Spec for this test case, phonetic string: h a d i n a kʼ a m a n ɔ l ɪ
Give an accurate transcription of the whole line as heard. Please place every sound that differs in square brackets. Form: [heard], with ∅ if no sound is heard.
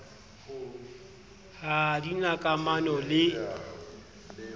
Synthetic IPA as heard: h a d i n a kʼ a m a n ɔ l ɪ

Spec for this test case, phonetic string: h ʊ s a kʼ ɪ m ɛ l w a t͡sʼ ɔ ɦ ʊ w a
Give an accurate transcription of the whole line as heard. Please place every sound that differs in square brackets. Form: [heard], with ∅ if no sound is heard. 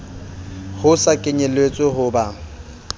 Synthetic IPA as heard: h ʊ s a kʼ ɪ [ɲ] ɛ l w [e] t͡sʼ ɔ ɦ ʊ [b] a

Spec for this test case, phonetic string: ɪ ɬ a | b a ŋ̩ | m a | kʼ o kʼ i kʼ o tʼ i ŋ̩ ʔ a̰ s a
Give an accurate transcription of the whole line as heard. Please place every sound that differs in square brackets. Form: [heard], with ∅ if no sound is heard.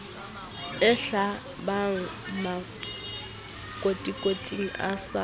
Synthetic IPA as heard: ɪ ɬ a | b a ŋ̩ | m a | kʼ o [tʼ] i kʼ o tʼ i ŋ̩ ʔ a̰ s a

